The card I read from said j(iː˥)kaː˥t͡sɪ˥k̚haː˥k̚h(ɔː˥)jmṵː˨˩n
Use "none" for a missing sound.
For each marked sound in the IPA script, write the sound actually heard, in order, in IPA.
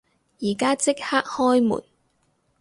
iː˨˩, ɔː˥

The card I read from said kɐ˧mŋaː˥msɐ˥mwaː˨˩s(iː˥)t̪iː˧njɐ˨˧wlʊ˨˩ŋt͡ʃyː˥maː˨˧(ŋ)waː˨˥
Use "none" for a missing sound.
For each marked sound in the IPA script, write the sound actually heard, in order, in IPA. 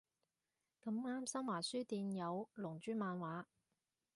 yː˥, n

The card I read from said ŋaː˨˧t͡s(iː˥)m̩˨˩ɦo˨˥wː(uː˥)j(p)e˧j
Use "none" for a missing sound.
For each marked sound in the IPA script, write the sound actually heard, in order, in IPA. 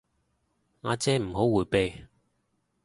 ɛː˥, uː˨˩, p

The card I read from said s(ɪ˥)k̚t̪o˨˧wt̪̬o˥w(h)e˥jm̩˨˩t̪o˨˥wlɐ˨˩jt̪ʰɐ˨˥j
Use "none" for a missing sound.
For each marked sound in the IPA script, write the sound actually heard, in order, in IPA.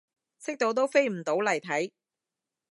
ɪ˥, f

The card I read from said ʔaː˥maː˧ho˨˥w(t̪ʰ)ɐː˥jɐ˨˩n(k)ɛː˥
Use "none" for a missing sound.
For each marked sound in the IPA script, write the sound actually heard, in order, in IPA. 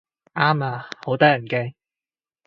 t̪, k

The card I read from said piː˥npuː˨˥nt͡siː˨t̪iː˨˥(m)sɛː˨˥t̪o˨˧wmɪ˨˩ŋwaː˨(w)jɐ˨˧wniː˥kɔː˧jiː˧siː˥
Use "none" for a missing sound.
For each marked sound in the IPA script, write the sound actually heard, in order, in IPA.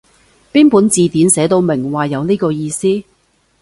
n, none

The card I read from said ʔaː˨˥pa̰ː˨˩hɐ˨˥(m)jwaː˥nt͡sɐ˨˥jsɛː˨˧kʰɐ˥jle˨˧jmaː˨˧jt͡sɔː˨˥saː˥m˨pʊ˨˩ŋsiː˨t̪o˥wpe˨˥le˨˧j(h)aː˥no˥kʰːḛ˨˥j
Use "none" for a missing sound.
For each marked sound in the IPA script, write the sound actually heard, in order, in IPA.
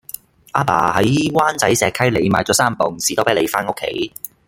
none, f

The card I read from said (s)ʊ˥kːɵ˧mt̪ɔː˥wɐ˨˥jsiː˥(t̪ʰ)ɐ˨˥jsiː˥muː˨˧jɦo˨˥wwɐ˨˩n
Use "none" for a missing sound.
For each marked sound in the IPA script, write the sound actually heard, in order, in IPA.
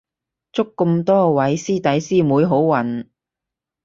t͡s, t̪

